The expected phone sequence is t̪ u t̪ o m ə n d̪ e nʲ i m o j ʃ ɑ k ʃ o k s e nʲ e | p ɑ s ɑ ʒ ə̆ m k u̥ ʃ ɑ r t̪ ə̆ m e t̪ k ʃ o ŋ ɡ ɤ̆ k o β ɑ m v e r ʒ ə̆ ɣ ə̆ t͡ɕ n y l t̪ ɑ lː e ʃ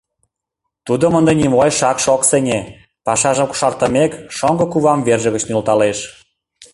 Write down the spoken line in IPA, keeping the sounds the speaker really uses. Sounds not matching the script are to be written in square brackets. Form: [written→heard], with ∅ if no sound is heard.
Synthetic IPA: t̪ u [t̪→d̪] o m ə n d̪ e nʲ i m o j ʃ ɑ k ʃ o k s e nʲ e | p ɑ [s→ʃ] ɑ ʒ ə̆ m k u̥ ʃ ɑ r t̪ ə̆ m e [t̪→∅] k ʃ o ŋ ɡ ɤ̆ k [o→u] β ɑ m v e r ʒ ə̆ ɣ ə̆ t͡ɕ n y l t̪ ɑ [lː→l] e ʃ